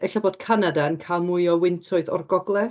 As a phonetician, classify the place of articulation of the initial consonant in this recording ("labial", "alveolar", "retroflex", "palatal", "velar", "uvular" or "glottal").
alveolar